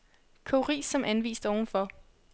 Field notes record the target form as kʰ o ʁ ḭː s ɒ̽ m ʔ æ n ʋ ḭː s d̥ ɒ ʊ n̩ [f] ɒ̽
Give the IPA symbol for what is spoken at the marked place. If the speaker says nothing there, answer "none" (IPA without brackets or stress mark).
f